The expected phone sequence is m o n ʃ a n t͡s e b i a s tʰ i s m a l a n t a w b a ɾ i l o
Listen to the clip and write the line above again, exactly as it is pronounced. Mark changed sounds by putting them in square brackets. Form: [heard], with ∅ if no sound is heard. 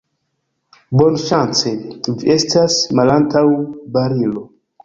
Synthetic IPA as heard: [b] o n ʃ a n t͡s e [v] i [e] s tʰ [a] s m a l a n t a w b a ɾ i l o